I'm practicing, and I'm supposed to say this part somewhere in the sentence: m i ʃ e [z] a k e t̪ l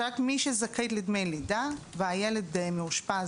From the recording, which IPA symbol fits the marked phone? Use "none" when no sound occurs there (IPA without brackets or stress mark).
z